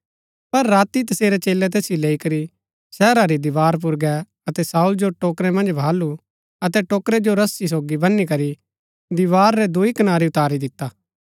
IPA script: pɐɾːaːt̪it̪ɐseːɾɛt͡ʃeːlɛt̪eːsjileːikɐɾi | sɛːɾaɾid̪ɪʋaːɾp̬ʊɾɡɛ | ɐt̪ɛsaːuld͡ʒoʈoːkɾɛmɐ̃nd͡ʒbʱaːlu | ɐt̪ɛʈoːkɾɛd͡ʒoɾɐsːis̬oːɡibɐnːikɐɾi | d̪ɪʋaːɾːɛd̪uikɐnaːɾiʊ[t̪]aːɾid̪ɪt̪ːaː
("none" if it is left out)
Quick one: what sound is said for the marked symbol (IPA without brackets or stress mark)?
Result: t̪